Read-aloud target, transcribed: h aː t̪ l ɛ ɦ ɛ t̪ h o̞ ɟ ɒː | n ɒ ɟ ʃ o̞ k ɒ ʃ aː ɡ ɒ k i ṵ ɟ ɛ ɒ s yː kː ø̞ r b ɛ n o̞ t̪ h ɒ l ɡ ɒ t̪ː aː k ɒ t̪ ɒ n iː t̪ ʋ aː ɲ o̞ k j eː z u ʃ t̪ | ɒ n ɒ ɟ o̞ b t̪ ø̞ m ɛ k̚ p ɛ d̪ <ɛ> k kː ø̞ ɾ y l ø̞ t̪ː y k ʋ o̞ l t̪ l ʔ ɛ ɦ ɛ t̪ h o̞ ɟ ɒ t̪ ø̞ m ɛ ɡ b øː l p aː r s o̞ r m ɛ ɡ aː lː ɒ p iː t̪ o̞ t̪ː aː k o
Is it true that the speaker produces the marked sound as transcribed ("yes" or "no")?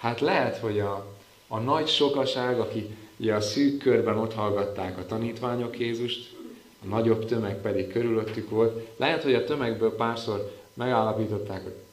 no